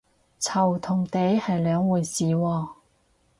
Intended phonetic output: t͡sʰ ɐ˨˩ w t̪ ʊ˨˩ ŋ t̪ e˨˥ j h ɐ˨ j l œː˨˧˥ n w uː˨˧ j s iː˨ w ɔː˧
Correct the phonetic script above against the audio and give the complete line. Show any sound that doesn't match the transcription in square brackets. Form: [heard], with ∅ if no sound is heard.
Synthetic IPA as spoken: t͡sʰ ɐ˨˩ w [t̪ʰ] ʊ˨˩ ŋ t̪ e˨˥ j h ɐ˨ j l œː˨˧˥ [ŋ] w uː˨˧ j s iː˨ w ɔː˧